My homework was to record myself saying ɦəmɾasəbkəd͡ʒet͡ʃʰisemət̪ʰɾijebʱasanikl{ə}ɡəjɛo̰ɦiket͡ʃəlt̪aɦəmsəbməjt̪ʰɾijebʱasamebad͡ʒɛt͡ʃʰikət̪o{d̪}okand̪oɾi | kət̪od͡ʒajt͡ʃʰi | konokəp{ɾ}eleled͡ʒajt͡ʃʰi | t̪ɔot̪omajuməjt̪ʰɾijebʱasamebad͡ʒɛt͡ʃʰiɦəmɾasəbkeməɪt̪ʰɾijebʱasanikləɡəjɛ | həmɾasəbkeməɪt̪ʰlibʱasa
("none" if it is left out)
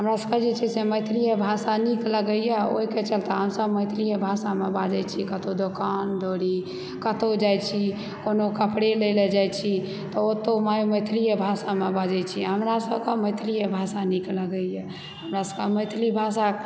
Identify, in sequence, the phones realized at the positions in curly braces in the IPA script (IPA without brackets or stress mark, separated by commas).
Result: ə, d̪, ɽ